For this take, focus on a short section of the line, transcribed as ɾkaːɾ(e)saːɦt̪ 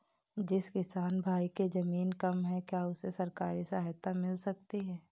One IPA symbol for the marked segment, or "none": i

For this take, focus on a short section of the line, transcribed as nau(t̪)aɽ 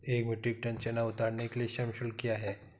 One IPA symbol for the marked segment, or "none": t̪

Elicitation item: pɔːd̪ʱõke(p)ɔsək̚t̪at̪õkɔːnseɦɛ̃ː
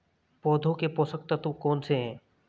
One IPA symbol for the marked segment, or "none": p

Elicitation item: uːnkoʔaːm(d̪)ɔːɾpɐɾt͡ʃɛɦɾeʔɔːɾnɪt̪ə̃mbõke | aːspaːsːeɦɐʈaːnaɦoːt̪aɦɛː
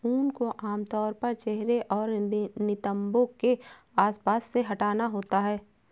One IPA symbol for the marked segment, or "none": t̪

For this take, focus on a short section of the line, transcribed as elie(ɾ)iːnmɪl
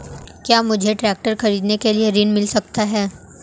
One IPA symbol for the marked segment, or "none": ɾ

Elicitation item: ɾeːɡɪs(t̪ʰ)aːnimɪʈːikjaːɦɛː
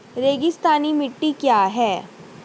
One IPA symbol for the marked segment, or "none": t̪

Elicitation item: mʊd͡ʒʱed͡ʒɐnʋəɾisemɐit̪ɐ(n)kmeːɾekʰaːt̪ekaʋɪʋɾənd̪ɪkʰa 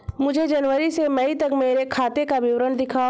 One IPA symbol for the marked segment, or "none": none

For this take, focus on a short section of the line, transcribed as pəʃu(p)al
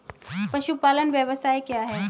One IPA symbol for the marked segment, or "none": p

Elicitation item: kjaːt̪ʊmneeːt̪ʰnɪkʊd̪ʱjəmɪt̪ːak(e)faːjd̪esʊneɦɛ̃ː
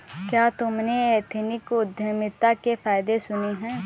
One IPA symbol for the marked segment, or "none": e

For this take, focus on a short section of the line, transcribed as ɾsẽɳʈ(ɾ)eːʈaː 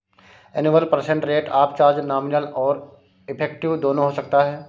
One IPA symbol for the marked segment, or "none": ɾ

